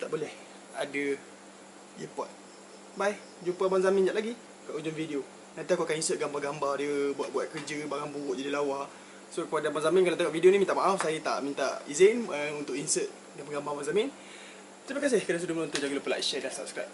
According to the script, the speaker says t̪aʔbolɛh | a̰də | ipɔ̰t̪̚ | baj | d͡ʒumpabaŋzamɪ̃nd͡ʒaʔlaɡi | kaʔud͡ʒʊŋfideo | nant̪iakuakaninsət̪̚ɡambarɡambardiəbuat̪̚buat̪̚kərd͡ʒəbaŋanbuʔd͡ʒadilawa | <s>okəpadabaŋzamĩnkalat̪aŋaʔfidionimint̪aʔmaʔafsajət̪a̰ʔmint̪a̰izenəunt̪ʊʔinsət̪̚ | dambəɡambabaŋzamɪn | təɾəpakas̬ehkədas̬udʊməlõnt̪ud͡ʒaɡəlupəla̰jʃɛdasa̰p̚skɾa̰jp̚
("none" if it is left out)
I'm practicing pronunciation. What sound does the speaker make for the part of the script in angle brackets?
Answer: s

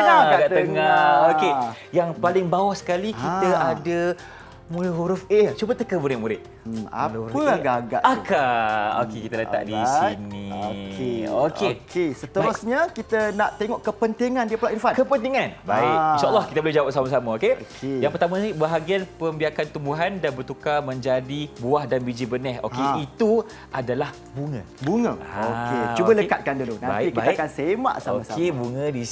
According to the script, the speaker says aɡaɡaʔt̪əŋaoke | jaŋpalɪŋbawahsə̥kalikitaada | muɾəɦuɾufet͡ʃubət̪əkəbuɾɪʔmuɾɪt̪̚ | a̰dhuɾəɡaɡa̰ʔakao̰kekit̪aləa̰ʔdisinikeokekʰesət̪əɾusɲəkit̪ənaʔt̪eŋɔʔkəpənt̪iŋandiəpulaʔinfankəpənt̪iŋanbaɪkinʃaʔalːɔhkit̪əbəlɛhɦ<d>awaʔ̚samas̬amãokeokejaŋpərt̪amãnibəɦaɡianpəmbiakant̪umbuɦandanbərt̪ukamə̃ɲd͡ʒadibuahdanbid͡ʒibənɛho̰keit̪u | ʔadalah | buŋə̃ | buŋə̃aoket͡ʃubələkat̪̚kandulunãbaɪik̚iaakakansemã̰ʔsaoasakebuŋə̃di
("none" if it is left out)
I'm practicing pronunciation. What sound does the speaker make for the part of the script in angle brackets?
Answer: d͡ʒ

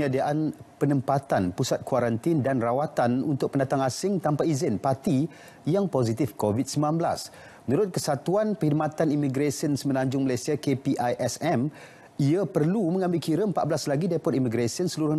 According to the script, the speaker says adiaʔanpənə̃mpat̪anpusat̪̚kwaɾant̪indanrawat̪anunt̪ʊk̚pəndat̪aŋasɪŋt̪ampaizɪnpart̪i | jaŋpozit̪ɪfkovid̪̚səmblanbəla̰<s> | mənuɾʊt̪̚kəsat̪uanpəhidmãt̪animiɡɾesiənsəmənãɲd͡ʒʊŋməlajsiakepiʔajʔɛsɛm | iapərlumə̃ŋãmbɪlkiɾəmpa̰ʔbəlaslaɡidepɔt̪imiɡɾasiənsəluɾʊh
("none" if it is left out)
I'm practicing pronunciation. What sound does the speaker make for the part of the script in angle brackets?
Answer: s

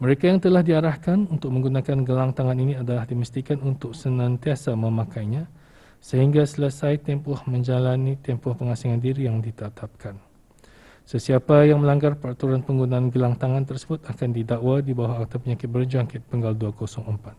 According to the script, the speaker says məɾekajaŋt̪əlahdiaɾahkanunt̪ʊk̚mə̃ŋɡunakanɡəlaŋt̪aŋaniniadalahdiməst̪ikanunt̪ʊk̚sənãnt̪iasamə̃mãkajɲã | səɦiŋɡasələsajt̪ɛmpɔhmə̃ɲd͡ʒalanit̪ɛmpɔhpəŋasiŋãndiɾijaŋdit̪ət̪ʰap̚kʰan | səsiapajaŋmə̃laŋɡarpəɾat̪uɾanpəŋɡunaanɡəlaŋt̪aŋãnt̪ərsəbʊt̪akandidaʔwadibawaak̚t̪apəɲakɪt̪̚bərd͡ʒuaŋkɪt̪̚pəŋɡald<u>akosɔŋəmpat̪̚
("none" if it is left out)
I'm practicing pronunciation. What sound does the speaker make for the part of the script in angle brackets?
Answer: u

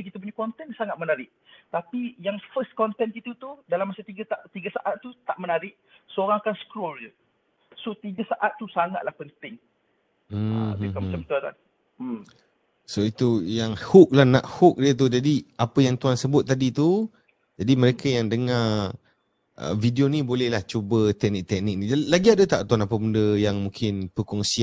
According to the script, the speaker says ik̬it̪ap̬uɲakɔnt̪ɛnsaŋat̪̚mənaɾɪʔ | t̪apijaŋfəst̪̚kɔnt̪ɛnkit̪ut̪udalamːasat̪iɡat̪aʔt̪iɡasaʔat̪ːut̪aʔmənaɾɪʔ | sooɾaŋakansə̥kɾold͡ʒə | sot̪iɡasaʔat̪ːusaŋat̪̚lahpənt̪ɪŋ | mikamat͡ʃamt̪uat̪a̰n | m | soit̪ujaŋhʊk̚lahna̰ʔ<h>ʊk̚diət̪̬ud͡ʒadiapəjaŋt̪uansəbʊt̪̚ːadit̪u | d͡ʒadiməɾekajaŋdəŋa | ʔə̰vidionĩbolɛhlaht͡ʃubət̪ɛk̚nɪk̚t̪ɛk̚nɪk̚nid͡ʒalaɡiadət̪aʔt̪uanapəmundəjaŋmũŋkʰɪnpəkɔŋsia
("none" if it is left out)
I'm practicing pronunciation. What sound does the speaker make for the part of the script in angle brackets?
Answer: h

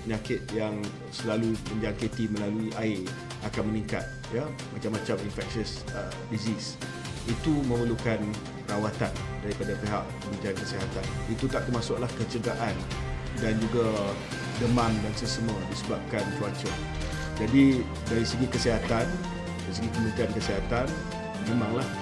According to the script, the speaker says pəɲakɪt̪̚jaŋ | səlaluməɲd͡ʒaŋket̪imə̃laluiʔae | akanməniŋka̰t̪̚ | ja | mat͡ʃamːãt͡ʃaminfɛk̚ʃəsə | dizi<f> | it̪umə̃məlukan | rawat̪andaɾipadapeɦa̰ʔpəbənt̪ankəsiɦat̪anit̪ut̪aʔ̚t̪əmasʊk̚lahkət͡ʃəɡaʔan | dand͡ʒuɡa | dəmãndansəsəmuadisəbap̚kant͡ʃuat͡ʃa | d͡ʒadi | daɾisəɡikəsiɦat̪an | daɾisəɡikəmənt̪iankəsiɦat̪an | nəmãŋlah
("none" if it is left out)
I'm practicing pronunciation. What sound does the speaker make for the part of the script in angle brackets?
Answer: s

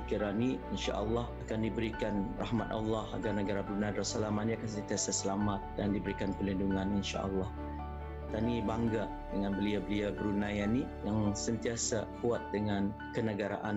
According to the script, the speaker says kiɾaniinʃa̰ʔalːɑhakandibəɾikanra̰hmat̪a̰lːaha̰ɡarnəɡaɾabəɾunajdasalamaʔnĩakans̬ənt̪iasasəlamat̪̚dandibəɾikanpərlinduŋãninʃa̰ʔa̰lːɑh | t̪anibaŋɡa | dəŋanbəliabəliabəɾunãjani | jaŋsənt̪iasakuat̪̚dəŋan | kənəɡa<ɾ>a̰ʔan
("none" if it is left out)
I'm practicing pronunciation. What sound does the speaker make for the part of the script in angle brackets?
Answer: ɾ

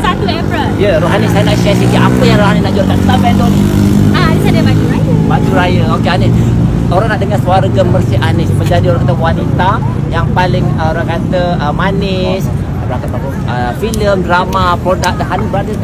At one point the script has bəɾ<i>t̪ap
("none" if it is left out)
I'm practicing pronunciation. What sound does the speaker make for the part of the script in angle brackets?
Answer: a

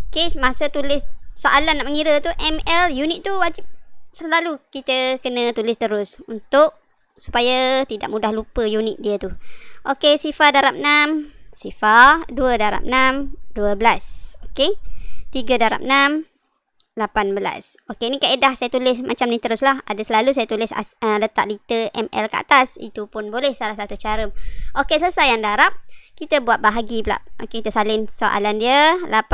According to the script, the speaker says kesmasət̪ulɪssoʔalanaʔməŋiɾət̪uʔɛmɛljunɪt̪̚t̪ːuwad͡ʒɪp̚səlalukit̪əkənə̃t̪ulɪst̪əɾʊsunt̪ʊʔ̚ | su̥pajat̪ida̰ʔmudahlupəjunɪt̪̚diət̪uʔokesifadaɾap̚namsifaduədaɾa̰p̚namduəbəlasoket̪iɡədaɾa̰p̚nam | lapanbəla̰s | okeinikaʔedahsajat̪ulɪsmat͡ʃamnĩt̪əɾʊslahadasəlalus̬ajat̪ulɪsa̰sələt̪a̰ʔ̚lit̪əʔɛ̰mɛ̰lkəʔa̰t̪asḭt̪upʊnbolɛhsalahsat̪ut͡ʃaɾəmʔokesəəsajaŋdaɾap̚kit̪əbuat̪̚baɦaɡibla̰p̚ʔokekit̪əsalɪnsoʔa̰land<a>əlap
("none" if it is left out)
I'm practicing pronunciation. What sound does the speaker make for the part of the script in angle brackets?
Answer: i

